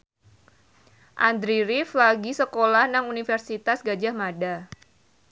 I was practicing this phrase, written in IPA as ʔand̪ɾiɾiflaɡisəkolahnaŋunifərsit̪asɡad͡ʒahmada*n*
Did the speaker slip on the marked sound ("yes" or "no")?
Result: yes